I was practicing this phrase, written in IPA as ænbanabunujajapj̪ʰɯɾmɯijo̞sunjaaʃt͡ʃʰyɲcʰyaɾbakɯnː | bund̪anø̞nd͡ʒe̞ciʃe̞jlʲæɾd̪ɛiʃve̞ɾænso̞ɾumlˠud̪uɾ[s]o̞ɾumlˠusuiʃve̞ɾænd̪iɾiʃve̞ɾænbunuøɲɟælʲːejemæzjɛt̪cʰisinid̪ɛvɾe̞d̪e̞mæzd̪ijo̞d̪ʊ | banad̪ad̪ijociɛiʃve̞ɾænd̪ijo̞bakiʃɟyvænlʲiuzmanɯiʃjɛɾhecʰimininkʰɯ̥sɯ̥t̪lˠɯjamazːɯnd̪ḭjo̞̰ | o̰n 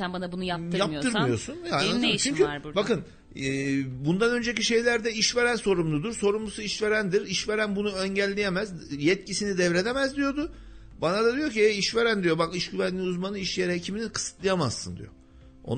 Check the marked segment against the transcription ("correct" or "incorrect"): correct